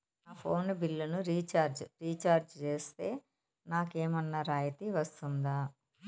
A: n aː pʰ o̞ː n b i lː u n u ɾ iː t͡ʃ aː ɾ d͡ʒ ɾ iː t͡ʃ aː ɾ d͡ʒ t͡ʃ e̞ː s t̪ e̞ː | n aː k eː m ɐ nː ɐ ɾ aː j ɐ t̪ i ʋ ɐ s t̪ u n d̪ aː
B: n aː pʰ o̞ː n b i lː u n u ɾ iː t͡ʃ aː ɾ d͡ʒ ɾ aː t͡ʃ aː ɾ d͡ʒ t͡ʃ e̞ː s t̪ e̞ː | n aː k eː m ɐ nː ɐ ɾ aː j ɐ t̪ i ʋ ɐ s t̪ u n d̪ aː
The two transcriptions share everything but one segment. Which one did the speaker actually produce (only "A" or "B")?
A